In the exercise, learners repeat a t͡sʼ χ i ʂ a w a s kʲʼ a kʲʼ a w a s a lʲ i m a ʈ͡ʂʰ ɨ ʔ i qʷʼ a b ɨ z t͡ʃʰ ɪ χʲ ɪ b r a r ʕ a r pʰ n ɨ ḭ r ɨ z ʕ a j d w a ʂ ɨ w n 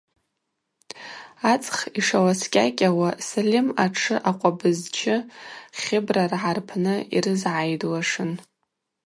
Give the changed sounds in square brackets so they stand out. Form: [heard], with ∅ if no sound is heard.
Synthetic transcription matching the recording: a t͡sʼ χ i ʂ a w a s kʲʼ a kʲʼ a w a s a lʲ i m a ʈ͡ʂʰ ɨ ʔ [a] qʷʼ a b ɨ z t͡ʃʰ ɪ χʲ ɪ b r a r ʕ a r pʰ n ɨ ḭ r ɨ z ʕ a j d w a ʂ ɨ [∅] n